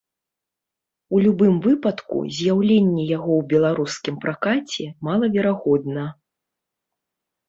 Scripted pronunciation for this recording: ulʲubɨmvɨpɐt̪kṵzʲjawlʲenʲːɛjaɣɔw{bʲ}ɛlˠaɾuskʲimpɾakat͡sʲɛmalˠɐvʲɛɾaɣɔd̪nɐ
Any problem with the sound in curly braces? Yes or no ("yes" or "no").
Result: no